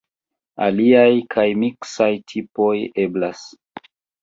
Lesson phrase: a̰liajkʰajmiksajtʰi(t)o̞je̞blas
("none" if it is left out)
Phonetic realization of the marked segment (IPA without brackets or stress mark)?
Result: p